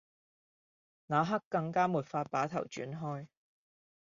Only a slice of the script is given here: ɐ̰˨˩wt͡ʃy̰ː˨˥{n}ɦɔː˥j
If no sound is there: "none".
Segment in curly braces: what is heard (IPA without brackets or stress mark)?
n